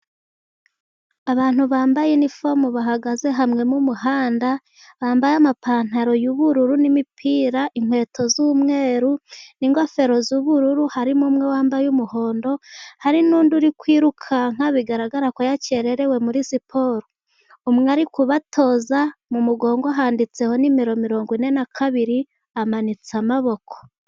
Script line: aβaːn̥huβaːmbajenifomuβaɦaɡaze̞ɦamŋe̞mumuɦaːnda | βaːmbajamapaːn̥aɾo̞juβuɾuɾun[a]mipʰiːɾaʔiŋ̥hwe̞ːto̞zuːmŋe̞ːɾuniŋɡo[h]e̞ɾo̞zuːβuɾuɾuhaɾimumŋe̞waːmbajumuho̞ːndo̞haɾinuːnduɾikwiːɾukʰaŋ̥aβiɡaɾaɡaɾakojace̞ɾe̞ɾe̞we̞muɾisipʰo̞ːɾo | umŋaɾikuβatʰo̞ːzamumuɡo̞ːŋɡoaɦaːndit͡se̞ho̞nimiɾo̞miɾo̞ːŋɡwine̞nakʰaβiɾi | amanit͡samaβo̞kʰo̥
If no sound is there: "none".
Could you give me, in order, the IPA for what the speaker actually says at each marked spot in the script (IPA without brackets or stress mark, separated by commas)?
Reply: i, f